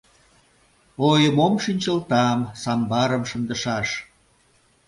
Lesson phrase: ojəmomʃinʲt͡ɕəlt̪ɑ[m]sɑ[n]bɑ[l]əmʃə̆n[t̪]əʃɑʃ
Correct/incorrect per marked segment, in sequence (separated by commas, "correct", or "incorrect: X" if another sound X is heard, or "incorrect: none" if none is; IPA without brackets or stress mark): correct, incorrect: m, incorrect: ɾ, incorrect: d̪